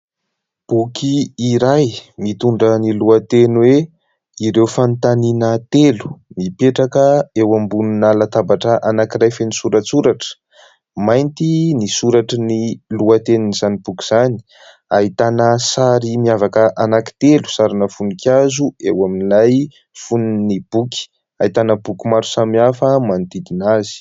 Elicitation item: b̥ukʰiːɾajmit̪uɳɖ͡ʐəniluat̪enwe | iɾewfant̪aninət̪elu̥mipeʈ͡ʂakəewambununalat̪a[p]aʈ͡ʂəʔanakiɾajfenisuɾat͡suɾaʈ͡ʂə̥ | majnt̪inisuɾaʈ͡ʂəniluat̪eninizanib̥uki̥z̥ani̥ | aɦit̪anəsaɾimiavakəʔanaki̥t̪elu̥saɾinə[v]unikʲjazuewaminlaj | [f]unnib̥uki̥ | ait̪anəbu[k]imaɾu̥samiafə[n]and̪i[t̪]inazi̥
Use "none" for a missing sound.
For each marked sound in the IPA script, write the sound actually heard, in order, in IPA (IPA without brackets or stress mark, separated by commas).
b, f, f, k, m, d̪